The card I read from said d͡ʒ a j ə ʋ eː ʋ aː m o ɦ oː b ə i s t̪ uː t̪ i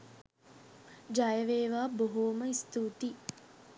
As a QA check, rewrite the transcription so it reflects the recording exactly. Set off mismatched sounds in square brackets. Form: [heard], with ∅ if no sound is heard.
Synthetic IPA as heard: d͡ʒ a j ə ʋ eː ʋ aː [b] o ɦ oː [m] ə i s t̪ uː t̪ i